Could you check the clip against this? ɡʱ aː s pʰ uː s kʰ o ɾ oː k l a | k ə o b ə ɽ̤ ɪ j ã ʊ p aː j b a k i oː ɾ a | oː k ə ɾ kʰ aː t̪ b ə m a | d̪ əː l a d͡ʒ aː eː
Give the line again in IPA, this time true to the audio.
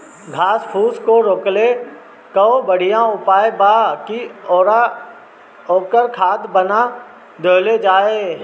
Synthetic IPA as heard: ɡʱ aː s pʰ uː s k o ɾ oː k l e | k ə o b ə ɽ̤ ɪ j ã ʊ p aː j b a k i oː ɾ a | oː k ə ɾ kʰ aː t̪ b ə n a | d̪ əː l e d͡ʒ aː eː